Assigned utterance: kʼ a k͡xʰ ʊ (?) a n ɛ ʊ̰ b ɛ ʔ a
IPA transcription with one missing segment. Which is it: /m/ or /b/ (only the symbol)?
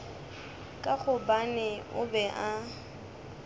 b